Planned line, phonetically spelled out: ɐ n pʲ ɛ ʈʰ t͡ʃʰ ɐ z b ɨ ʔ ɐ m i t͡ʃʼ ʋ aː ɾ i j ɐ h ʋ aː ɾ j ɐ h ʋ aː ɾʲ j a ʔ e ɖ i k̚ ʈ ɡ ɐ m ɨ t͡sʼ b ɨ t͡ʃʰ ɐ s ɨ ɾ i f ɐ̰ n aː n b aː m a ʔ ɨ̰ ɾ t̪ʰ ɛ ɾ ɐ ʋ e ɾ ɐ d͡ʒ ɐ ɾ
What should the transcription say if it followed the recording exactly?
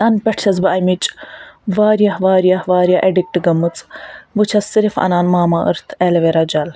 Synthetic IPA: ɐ n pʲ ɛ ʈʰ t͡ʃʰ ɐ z b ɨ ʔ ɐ m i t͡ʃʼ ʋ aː ɾ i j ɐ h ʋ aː ɾ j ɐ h ʋ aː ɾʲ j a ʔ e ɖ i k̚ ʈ ɡ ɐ m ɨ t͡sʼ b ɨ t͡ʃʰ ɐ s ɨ ɾ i f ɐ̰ n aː n m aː m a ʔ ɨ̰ ɾ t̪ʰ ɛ l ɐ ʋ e ɾ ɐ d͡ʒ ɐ l

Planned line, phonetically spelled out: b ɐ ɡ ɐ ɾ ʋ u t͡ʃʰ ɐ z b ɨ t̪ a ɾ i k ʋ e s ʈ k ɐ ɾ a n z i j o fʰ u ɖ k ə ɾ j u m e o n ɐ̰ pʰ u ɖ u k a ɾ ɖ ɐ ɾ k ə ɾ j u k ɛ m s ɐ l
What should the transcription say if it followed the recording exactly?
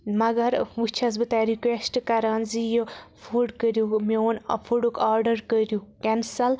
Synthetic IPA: m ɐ ɡ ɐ ɾ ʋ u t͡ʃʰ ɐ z b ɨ t̪ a ɾ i k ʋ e s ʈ k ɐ ɾ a n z i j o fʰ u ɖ k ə ɾ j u m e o n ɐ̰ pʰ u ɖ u k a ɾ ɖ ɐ ɾ k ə ɾ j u k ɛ n s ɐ l

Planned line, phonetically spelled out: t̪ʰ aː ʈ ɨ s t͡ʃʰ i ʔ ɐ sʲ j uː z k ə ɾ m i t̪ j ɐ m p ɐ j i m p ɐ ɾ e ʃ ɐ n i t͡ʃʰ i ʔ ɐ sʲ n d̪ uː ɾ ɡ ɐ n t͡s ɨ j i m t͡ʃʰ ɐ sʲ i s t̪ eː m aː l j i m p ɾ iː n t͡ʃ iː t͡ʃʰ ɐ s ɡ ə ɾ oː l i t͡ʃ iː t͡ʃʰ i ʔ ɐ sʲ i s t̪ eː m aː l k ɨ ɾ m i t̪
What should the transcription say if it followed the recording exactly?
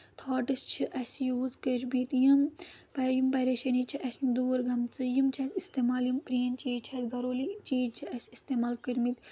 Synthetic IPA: t̪ʰ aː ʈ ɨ s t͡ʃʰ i ʔ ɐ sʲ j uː z k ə ɾ m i t̪ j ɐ m p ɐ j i m p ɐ ɾ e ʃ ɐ n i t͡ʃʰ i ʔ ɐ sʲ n d̪ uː ɾ ɡ ɐ m t͡s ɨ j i m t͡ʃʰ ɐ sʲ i s t̪ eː m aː l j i m p ɾ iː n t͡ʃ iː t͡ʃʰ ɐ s ɡ ɐ ɾ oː l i t͡ʃ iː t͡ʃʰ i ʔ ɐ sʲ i s t̪ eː m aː l k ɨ ɾ m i t̪

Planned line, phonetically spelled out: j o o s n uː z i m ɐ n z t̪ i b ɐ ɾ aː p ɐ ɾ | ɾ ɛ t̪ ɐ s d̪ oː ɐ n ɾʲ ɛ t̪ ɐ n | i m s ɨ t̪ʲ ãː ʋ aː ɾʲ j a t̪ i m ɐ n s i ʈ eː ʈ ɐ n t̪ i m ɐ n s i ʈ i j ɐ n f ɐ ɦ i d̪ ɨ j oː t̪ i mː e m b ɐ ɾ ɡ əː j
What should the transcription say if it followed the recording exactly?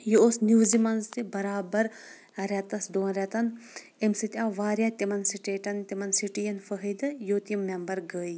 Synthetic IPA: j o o s n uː z i m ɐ n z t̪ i b ɐ ɾ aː b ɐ ɾ | ɾ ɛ t̪ ɐ s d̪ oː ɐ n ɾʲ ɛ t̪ ɐ n | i m s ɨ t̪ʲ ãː ʋ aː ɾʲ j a t̪ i m ɐ n s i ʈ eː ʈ ɐ n t̪ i m ɐ n s i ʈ i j ɐ n f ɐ ɦ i d̪ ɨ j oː t̪ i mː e m b ɐ ɾ ɡ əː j

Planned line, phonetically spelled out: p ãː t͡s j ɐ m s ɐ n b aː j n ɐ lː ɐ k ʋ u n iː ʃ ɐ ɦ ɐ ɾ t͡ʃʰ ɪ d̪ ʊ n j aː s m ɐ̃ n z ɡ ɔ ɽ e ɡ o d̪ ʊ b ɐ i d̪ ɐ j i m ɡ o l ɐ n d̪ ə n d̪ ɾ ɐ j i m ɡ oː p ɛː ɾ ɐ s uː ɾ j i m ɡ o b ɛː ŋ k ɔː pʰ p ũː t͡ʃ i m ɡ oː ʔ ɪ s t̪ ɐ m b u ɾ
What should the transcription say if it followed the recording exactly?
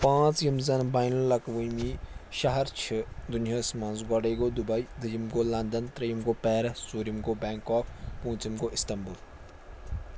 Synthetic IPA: p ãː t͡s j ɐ m z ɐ n b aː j n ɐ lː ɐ k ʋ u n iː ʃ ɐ ɦ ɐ ɾ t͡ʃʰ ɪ d̪ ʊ n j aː s m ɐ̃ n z ɡ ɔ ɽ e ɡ o d̪ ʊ b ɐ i d̪ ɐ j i m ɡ o l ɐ n d̪ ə n t̪ ɾ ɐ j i m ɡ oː p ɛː ɾ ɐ s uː ɾ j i m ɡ o b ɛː ŋ k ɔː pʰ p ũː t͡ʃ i m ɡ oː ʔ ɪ s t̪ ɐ m b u l

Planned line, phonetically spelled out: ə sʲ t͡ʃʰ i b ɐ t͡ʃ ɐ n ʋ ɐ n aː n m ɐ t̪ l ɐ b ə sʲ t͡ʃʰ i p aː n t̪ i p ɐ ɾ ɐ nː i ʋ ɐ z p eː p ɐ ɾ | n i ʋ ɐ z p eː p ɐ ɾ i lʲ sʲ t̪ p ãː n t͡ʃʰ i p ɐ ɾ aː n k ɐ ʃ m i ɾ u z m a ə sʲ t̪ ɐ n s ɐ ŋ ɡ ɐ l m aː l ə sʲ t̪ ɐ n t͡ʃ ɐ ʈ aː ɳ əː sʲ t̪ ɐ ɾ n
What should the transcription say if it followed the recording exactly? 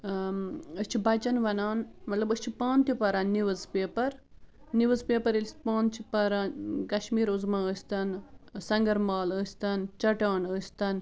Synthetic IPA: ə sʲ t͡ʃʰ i b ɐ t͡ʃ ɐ n ʋ ɐ n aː n m ɐ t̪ l ɐ b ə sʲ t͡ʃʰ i p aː n t̪ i p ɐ ɾ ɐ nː i ʋ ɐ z p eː p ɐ ɾ | n i ʋ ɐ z p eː p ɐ ɾ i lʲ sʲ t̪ p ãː n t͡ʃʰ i p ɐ ɾ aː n k ɐ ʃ m iː ɾ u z m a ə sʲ t̪ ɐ n s ɐ ŋ ɡ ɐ ɾ m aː l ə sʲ t̪ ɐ n t͡ʃ ɐ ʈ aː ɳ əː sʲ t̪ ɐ n

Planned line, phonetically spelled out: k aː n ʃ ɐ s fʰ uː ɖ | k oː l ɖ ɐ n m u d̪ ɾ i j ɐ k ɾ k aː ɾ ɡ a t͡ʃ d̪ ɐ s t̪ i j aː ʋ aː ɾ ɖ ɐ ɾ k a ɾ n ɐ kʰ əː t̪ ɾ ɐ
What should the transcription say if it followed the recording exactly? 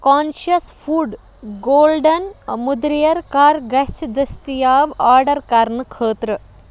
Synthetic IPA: k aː n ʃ ɐ s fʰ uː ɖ | ɡ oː l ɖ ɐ n m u d̪ ɾ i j ɐ ɾ k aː ɾ ɡ ɐ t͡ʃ d̪ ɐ s t̪ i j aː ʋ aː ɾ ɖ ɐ ɾ k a ɾ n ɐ kʰ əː t̪ ɾ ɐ

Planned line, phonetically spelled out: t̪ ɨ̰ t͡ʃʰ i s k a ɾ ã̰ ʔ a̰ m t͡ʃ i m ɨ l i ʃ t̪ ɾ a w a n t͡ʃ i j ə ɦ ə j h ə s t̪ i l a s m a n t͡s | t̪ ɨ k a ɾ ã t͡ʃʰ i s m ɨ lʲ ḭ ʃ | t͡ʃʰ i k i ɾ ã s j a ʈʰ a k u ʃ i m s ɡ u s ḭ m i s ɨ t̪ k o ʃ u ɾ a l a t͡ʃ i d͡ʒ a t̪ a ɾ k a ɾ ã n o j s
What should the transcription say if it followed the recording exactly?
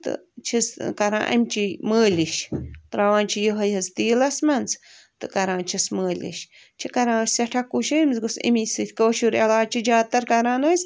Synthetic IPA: t̪ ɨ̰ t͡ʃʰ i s k a ɾ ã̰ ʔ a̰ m t͡ʃ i m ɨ l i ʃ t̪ ɾ a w a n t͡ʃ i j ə ɦ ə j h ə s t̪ i l a s m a n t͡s | t̪ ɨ k a ɾ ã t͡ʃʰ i s m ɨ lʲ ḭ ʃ | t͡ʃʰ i k a ɾ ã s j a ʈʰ a k u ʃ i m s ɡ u s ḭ m i s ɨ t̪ k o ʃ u ɾ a l a t͡ʃ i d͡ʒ a t̪ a ɾ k a ɾ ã n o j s

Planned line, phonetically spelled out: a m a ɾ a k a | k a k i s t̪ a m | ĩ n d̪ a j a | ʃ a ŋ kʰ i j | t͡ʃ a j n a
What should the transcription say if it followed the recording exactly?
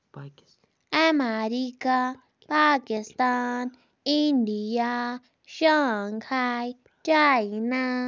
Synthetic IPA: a m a ɾ i k a | p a k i s t̪ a n | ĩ n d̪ i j a | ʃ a ŋ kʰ a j | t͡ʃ a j n a

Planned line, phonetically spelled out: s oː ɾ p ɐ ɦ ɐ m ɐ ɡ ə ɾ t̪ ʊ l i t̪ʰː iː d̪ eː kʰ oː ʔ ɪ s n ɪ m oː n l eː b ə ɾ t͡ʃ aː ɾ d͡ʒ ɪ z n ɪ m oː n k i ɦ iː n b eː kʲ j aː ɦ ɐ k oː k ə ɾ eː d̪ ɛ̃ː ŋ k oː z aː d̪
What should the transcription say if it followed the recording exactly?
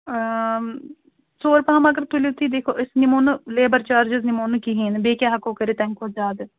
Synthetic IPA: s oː ɾ p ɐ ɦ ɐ m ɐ ɡ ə ɾ t̪ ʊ l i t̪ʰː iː d̪ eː kʰ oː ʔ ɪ s n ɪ m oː n l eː b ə ɾ t͡ʃ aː ɾ d͡ʒ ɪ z n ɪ m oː n k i ɦ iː n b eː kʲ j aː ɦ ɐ k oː k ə ɾ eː t̪ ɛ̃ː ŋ k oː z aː d̪

